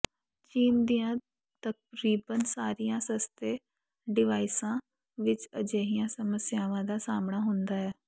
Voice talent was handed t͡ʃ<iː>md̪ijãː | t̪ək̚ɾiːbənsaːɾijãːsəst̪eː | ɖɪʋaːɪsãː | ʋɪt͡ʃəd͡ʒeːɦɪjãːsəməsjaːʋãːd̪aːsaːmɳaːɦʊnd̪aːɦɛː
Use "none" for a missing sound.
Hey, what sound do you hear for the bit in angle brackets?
iː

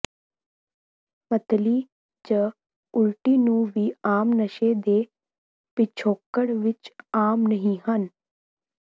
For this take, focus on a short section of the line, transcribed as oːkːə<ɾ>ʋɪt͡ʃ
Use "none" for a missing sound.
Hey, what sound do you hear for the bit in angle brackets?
ɽ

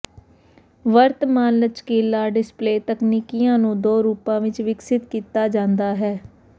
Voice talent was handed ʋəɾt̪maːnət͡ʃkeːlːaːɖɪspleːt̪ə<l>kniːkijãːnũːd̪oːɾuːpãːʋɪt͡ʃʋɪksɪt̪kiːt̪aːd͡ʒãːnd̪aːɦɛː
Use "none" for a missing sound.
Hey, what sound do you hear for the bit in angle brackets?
none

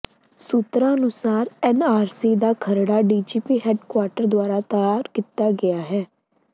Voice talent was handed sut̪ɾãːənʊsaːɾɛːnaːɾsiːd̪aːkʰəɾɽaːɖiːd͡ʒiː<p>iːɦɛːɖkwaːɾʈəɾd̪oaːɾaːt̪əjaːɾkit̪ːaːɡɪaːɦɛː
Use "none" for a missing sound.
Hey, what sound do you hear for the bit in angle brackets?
p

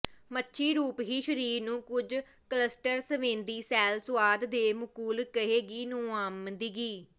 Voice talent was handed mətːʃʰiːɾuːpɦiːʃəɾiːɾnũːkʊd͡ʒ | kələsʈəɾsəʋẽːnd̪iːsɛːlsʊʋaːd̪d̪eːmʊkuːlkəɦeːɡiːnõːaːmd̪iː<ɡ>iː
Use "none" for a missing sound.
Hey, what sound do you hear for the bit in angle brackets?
ɡ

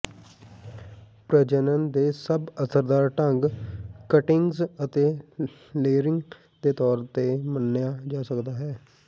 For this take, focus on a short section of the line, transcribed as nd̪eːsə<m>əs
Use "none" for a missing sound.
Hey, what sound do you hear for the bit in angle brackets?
b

